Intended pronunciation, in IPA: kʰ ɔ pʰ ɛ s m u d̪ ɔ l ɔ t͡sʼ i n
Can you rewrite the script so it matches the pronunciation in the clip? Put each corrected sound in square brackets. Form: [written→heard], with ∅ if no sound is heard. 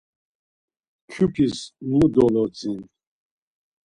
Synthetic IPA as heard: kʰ [ɔ→u] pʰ [ɛ→i] s m u d̪ ɔ l ɔ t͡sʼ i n